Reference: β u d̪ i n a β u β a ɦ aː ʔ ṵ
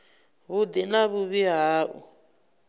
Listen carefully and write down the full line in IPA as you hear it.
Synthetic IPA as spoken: β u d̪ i n a β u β i ɦ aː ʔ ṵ